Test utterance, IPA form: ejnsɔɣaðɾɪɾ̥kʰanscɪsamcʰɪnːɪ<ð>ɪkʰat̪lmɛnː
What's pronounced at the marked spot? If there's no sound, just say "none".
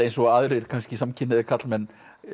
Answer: ð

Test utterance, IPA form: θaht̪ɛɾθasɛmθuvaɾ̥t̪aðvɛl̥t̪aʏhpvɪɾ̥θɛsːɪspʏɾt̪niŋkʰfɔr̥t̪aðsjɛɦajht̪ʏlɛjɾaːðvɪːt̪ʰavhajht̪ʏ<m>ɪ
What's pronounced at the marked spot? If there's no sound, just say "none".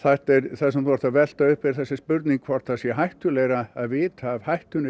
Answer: n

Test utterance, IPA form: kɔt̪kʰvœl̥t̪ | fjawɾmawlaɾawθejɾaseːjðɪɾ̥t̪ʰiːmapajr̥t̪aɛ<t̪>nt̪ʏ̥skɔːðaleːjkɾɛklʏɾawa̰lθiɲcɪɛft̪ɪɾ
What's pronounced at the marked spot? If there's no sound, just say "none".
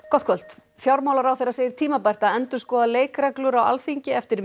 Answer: none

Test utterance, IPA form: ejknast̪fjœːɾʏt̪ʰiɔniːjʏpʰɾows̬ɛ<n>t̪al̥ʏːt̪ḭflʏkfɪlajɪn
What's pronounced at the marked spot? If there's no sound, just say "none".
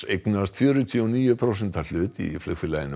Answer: n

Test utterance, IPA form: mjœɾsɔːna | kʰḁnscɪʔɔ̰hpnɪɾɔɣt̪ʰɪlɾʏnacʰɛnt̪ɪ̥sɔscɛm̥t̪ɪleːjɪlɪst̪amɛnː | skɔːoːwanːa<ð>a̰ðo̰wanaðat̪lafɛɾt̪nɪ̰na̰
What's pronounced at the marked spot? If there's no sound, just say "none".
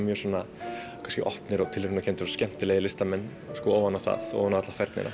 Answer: θ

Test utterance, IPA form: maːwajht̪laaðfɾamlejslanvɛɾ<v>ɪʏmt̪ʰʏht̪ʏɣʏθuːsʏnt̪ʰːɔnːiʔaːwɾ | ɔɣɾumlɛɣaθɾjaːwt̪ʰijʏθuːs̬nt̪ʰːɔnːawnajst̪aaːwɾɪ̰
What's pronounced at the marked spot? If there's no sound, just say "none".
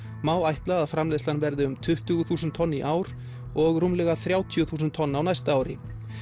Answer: ð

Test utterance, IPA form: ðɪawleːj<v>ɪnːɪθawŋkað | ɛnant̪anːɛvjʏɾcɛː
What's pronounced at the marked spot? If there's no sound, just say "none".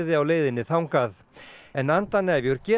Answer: ð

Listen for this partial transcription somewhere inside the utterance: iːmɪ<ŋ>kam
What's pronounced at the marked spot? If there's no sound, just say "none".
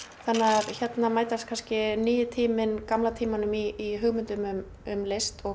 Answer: n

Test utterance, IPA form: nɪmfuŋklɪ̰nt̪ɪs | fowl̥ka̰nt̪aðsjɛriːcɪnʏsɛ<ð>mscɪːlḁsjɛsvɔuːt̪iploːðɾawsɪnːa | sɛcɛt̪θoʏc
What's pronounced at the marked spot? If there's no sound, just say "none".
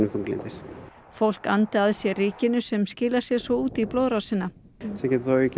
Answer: none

